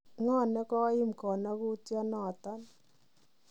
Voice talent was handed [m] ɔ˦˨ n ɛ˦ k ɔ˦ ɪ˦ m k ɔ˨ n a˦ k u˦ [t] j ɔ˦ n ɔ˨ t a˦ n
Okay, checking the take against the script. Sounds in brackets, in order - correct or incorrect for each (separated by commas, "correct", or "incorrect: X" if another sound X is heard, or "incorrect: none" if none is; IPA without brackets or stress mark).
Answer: incorrect: ŋ, correct